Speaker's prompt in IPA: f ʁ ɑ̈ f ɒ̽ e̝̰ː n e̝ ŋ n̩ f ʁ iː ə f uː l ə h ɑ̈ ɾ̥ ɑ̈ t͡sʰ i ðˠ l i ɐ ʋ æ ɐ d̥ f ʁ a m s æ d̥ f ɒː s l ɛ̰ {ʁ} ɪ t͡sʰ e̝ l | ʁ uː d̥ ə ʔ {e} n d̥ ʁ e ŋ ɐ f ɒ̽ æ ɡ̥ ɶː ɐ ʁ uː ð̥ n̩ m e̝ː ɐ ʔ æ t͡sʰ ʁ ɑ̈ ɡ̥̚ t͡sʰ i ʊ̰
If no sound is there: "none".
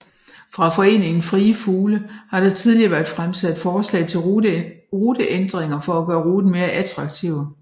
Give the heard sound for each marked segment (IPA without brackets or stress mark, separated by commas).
none, e